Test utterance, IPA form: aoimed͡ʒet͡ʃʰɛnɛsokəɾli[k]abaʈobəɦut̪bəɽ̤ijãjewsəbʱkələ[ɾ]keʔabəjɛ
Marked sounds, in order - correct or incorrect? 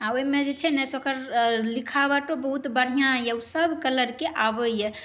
incorrect: kʰ, correct

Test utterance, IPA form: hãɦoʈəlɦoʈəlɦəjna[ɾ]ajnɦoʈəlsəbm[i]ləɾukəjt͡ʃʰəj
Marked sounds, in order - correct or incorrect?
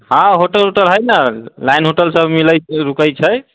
incorrect: l, correct

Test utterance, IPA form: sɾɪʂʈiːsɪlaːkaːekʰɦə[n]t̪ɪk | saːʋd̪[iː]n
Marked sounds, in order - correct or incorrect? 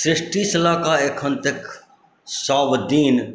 correct, correct

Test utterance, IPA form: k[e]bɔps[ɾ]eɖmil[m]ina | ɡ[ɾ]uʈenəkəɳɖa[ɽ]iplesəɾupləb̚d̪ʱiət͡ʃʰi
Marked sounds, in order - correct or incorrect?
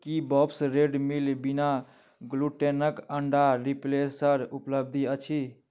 incorrect: i, correct, incorrect: b, incorrect: l, incorrect: ɾ

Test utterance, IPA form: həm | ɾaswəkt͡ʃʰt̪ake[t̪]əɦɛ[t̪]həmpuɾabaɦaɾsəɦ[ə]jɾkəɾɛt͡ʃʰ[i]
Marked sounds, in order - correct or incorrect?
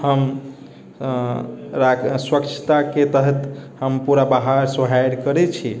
correct, correct, incorrect: a, correct

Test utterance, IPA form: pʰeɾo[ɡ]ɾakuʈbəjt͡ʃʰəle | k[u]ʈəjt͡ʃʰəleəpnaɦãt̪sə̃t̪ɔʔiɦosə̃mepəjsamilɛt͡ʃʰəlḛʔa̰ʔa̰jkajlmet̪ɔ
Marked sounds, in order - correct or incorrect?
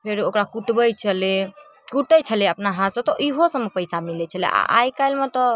incorrect: k, correct

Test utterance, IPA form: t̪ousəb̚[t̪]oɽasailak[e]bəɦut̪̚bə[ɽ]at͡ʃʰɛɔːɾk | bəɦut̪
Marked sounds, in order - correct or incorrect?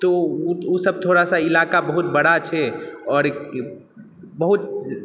incorrect: t̪ʰ, incorrect: a, correct

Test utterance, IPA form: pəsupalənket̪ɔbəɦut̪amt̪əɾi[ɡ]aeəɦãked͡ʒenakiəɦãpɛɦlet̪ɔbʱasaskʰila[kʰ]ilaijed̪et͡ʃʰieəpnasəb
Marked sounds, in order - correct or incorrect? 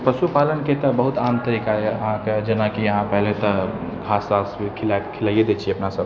incorrect: k, correct

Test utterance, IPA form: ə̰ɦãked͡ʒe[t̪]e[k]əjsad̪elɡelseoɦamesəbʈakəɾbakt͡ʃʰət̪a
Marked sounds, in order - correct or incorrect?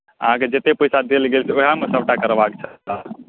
correct, incorrect: p

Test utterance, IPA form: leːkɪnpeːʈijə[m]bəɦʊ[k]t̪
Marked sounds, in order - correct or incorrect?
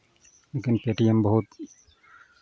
correct, incorrect: none

